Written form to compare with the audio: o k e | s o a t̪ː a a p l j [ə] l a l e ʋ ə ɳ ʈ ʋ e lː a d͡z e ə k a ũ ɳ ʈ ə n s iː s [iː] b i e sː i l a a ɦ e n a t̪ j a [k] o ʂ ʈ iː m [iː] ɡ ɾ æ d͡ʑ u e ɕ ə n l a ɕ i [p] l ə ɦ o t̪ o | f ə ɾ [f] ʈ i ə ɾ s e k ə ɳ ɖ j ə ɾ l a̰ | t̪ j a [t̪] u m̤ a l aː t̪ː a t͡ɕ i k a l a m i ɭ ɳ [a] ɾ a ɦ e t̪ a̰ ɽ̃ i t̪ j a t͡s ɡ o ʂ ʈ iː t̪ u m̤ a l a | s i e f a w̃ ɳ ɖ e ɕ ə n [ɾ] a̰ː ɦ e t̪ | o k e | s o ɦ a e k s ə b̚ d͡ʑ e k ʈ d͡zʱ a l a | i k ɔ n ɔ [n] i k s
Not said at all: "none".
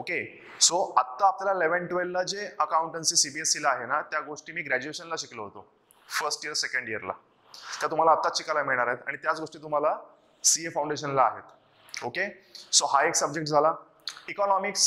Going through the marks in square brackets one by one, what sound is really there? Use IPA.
a, i, ɡ, iː, k, s, t̪, a, l, m

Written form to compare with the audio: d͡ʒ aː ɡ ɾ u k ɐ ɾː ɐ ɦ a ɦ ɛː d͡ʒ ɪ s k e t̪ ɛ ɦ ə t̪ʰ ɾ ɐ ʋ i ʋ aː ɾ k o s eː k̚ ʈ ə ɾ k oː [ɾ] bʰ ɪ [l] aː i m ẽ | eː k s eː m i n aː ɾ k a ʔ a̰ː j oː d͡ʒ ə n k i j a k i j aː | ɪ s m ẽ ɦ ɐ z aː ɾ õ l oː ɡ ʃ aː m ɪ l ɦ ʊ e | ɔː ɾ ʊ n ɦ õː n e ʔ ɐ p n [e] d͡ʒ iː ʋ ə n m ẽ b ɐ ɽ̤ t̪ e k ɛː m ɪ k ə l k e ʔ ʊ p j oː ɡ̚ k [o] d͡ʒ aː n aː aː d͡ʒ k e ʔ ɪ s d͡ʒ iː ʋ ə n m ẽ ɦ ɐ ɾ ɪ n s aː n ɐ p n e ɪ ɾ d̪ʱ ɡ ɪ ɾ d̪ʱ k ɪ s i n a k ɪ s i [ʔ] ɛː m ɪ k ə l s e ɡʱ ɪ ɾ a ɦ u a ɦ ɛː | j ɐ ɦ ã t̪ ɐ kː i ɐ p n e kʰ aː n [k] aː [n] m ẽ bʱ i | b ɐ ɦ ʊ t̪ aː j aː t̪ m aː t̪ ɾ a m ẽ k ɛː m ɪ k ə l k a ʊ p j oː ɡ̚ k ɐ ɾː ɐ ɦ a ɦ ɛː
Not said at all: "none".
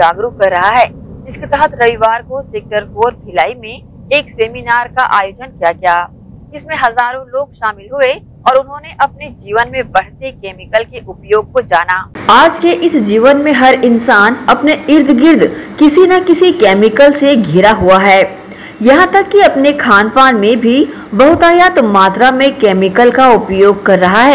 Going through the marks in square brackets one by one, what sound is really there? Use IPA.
ɾ, l, e, o, k, p, n

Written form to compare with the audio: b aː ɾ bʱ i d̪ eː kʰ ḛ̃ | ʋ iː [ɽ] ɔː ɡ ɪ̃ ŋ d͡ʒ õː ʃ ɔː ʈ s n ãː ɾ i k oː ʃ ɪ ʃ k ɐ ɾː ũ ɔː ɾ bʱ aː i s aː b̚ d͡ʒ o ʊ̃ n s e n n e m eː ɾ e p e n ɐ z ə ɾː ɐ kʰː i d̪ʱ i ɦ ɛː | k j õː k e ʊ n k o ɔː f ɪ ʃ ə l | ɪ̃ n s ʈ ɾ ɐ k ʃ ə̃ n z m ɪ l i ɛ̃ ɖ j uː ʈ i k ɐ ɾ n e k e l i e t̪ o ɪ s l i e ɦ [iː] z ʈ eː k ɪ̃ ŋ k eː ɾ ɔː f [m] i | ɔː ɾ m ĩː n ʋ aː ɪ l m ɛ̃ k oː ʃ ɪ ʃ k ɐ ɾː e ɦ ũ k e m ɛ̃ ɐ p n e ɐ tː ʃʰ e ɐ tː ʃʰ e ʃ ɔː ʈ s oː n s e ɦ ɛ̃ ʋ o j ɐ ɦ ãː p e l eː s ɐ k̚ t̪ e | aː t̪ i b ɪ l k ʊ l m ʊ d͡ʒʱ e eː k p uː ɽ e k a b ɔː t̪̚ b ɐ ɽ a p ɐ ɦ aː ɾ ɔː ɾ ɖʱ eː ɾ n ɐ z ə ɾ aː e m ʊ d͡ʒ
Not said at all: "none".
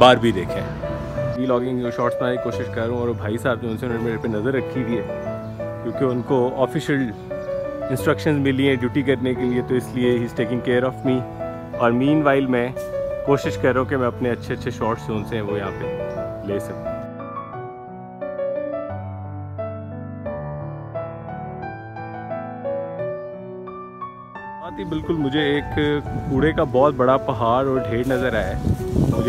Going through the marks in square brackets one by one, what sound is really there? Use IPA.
l, iː, m

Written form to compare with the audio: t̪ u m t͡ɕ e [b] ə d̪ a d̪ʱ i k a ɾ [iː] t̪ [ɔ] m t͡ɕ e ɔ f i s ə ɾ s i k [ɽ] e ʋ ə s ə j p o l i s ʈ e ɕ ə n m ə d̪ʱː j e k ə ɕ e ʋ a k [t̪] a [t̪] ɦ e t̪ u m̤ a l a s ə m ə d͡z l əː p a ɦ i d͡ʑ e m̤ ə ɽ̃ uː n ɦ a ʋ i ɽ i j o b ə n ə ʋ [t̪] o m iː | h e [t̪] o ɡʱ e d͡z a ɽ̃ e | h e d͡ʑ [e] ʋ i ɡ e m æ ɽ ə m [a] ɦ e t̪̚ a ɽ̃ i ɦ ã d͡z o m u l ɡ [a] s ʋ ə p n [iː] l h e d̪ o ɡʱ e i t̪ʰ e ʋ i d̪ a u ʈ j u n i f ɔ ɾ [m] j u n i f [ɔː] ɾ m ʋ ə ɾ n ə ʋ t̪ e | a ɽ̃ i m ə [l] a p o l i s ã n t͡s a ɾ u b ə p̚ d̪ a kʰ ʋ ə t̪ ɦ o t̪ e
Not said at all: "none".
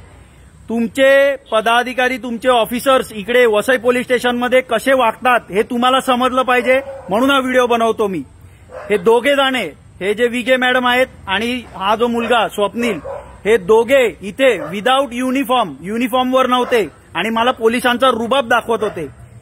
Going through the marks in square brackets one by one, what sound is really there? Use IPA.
p, iː, u, ɽ, t̪, t̪, t̪, d̪, e, a, a, iː, m, ɔ, l

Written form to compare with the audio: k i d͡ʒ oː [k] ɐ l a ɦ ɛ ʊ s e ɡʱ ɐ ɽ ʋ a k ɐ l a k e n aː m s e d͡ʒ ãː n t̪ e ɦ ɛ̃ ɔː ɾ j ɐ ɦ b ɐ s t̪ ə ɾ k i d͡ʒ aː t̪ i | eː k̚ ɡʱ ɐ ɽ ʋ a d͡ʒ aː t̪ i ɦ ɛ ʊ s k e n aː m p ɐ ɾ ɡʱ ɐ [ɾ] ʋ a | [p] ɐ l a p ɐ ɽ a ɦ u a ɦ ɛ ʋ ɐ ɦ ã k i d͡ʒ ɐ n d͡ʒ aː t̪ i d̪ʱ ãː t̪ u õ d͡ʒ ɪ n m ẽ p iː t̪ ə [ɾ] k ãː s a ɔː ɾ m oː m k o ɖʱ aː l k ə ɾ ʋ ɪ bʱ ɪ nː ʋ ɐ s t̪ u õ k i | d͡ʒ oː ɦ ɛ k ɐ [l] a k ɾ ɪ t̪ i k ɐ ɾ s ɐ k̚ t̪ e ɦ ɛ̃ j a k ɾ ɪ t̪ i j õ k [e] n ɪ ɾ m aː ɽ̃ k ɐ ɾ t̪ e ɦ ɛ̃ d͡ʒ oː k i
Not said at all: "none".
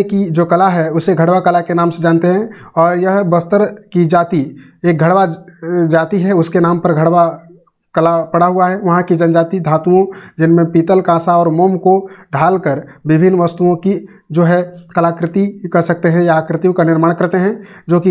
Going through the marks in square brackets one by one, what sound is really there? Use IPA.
k, ɽ, k, l, l, a

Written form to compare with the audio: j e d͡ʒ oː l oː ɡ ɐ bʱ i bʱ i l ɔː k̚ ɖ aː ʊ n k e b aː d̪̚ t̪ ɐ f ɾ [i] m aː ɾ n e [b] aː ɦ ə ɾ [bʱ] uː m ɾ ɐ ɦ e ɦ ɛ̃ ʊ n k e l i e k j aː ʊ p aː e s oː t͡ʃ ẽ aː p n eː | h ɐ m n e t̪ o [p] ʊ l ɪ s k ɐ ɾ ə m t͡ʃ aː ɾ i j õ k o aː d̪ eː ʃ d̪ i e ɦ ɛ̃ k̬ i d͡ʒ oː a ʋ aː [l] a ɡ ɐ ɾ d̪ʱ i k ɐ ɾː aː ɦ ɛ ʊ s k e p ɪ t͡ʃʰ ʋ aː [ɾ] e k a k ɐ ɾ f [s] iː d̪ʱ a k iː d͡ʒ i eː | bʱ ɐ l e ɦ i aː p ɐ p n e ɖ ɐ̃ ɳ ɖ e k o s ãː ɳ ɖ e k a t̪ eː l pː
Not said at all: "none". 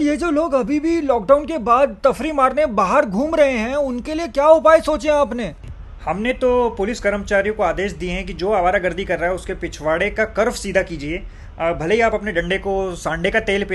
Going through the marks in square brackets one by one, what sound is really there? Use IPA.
i, b, ɡʱ, p, ɾ, ɽ, s

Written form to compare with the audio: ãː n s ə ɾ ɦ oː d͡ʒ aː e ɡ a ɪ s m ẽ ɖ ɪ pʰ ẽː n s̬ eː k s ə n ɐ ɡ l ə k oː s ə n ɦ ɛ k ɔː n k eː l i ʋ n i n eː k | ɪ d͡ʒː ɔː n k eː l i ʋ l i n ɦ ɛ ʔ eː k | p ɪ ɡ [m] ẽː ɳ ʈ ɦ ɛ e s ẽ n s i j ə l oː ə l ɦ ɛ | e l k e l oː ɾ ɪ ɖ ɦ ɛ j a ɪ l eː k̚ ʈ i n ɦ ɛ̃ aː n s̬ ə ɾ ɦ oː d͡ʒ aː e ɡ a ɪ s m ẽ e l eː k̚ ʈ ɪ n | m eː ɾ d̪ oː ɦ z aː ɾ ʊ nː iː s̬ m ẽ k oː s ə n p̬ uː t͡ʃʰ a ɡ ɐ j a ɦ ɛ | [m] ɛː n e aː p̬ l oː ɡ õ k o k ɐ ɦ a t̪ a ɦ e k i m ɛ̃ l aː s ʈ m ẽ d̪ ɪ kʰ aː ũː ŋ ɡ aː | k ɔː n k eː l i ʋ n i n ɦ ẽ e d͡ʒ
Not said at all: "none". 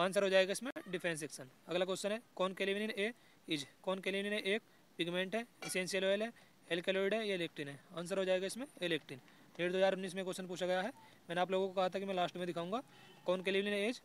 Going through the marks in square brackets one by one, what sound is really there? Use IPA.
m, m

